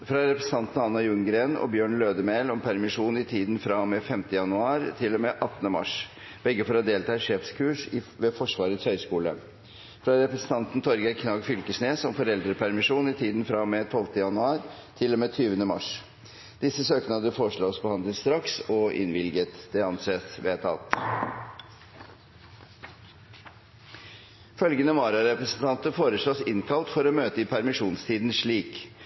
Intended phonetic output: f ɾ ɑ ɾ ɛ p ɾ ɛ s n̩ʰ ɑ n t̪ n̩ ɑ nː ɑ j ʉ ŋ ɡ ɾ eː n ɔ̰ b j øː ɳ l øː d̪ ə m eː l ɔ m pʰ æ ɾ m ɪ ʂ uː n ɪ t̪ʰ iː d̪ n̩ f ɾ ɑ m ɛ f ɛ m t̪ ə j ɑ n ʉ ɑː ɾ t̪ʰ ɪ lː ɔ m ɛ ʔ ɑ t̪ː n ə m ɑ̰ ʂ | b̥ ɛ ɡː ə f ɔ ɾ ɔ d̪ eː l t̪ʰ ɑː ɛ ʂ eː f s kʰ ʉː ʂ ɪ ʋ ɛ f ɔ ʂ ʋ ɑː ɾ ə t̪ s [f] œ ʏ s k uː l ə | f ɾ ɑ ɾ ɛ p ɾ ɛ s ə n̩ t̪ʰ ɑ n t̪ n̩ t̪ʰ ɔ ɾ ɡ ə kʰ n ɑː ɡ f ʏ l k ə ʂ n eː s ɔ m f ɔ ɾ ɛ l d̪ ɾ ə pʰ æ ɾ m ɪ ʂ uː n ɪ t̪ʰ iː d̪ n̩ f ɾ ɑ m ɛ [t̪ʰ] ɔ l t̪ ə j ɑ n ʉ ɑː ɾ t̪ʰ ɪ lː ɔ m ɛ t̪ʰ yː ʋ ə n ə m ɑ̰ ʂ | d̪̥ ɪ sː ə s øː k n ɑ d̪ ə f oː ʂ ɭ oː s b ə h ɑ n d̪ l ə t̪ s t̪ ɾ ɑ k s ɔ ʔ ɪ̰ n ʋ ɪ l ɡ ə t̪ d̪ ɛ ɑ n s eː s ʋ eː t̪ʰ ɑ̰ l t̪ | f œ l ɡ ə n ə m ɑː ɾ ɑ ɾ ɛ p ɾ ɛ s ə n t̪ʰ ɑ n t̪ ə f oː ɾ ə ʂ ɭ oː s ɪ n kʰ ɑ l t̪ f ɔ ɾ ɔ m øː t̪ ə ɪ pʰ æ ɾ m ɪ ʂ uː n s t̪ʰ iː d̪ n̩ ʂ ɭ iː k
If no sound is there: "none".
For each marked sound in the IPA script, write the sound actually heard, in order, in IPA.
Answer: h, t̪ʰ

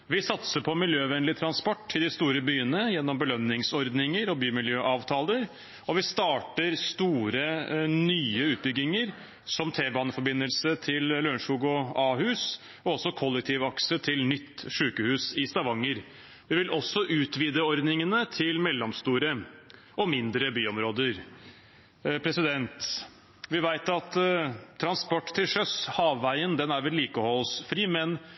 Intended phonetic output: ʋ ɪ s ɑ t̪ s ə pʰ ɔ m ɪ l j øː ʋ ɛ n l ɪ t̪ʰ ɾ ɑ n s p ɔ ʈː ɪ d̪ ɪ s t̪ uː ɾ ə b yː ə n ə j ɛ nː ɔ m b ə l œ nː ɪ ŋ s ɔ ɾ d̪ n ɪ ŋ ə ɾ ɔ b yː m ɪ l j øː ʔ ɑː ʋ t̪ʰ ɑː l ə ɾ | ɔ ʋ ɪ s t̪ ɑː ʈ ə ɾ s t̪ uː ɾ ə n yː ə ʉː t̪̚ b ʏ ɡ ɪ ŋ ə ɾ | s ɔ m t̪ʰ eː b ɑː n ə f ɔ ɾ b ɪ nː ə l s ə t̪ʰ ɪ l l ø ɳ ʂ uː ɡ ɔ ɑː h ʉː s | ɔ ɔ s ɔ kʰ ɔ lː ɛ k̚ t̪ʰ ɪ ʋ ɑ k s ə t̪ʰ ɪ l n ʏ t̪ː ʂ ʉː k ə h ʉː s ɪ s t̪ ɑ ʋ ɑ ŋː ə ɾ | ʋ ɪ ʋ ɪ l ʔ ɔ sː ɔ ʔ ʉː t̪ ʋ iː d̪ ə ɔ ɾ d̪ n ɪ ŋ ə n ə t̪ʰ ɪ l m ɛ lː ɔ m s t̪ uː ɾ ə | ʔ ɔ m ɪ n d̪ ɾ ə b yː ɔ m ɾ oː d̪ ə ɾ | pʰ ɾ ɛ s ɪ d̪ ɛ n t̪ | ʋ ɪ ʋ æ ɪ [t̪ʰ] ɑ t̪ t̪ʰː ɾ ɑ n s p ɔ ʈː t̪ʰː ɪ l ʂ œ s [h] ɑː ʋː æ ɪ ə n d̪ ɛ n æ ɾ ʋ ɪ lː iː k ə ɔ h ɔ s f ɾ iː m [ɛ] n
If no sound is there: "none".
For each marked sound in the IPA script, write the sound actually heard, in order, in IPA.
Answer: t̪, h, ɛ

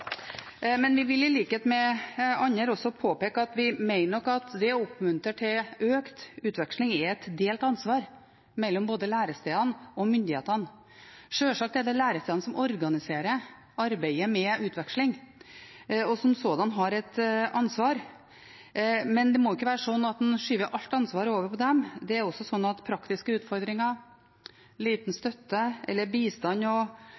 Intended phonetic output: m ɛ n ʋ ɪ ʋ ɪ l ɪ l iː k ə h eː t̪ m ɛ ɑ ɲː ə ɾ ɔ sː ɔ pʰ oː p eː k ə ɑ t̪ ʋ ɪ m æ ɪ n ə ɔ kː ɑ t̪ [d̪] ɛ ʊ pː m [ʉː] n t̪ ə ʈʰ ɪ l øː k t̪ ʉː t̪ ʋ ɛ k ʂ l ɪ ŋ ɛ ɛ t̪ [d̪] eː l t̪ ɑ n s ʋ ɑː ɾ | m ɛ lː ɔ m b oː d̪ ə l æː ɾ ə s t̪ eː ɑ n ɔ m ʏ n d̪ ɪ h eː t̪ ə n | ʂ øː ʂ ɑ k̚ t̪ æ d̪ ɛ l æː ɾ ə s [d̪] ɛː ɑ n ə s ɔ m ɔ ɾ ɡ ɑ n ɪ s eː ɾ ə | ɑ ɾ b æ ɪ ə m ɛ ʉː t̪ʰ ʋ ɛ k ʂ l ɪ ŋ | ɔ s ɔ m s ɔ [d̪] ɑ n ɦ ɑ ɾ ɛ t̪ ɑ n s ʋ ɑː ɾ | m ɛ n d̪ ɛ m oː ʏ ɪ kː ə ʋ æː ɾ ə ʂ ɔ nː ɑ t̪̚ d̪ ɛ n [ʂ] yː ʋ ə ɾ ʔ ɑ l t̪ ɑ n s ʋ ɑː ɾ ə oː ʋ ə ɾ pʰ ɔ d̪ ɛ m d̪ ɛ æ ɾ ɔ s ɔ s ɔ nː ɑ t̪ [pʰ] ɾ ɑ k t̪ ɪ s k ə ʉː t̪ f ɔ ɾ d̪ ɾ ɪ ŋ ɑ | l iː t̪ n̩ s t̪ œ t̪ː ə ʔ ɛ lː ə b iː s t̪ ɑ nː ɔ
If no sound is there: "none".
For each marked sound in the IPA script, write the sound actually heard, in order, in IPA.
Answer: d̪, ʉ, d̪, t̪, d̪, ʂ, pʰ

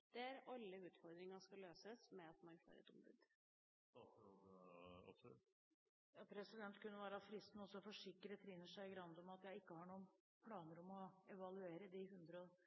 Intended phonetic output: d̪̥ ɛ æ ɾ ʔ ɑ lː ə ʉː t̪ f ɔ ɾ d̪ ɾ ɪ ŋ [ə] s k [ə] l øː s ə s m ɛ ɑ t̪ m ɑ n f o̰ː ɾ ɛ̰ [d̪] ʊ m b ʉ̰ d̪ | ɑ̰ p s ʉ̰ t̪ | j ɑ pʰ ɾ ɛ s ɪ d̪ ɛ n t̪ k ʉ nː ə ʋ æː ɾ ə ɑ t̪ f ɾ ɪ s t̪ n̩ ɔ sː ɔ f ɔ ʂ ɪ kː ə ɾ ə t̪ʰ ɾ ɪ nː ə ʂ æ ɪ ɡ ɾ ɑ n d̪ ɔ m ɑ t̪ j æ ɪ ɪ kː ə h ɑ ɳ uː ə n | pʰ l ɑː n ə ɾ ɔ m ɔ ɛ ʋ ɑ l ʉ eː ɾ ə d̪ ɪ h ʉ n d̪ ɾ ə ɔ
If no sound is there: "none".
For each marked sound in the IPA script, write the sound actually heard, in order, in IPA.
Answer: ɑ, ɑ, t̪

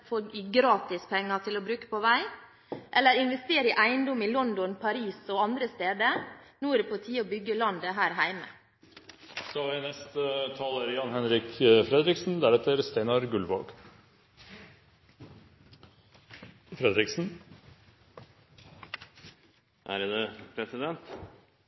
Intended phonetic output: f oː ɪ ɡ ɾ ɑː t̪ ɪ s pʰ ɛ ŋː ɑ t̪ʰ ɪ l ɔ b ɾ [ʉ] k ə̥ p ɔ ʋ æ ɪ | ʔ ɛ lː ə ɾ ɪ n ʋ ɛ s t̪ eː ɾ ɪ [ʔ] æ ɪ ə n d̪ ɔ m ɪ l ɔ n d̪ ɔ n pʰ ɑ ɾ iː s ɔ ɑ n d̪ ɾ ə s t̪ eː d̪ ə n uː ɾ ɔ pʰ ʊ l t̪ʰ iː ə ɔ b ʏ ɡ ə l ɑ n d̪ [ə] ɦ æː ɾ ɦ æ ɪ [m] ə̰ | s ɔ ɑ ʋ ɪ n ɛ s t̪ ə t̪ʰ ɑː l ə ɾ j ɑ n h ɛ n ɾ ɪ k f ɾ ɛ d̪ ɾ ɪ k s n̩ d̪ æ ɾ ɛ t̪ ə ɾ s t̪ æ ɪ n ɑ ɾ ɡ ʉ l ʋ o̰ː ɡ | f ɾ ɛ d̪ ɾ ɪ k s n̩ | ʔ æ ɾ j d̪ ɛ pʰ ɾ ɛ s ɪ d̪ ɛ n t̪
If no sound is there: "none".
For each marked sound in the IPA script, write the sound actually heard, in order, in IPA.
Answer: ʉː, ʔ, ə, m

